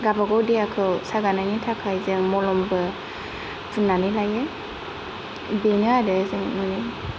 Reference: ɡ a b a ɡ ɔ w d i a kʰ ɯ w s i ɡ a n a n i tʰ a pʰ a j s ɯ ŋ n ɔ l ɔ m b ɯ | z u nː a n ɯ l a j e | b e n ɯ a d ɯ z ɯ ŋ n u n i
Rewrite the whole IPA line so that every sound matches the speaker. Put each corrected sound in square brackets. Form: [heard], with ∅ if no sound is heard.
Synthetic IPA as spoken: ɡ a b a ɡ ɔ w d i a kʰ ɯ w s [a] ɡ a n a n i tʰ a [kʰ] a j [z] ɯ ŋ [m] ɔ l ɔ m b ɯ | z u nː a n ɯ l a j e | b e n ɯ a d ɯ z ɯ ŋ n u n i